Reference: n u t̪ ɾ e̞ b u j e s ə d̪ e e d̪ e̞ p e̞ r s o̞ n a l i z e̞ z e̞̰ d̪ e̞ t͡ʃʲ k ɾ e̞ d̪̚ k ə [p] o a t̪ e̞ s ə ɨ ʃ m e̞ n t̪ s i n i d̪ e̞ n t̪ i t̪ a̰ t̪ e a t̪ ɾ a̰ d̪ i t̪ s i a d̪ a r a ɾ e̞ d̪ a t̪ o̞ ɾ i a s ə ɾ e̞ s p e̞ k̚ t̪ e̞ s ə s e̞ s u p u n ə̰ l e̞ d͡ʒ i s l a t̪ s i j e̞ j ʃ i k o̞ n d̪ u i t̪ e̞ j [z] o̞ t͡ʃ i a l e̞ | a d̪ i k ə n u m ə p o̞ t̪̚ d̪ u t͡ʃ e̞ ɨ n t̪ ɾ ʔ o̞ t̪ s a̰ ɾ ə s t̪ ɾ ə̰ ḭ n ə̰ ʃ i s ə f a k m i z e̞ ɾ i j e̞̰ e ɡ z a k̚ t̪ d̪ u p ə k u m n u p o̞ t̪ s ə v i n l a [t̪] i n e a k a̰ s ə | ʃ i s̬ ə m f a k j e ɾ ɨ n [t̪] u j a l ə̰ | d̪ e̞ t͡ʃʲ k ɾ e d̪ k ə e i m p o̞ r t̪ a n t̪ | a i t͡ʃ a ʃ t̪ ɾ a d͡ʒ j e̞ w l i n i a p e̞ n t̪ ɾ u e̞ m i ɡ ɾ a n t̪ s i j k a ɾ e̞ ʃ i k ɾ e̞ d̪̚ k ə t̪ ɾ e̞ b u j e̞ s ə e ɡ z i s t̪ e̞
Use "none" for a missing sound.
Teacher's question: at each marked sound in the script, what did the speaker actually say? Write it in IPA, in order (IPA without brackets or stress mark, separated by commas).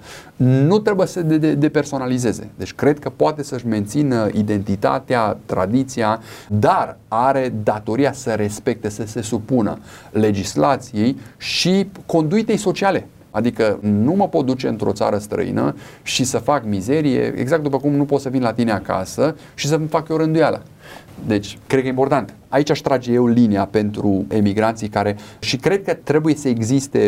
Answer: p, s, t̪, d̪